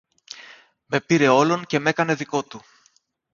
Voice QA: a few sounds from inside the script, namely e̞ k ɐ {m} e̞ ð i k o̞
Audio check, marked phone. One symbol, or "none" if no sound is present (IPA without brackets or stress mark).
n